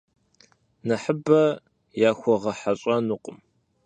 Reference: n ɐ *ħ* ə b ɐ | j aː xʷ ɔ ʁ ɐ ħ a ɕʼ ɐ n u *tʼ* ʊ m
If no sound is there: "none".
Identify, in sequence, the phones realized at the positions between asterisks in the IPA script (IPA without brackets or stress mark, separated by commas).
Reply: ħ, qʼ